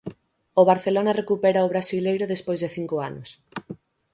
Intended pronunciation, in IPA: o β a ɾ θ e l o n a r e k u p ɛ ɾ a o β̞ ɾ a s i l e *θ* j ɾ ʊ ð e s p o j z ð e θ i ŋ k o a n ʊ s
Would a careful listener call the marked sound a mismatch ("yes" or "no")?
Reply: yes